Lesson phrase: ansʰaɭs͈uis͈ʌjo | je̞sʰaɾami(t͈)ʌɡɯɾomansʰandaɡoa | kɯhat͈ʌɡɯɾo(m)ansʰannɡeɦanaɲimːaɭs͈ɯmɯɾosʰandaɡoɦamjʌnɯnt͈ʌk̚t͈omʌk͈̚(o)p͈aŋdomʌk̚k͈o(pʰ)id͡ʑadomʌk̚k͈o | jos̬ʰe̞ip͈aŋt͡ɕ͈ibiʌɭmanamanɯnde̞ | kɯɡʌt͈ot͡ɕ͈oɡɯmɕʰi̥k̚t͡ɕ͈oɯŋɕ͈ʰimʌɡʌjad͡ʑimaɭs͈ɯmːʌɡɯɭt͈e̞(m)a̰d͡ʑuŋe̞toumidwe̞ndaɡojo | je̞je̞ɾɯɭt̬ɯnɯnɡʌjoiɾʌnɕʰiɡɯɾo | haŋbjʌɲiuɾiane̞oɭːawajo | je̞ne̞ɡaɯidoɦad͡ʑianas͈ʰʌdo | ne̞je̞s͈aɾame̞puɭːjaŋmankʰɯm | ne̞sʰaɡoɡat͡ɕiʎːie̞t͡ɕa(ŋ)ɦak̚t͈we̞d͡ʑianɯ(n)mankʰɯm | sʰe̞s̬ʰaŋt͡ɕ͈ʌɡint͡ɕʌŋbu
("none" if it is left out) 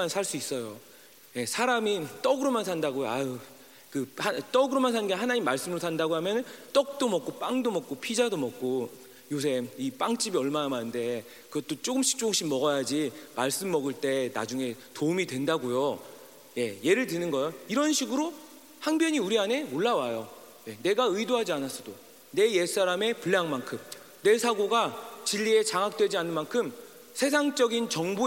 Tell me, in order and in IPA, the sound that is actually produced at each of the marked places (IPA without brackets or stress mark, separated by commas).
t͈, m, o, pʰ, n, ŋ, n